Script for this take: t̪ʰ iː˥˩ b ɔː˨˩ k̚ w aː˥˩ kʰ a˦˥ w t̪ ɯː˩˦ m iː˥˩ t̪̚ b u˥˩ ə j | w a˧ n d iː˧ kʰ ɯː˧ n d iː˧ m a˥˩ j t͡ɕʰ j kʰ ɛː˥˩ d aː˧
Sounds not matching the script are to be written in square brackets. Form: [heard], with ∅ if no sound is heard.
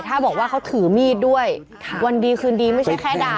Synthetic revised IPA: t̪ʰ [aː˥˩] b ɔː˨˩ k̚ w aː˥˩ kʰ a˦˥ w [t̪ʰ] ɯː˩˦ m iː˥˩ t̪̚ [d] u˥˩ ə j | w a˧ n d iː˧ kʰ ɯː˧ n d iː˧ m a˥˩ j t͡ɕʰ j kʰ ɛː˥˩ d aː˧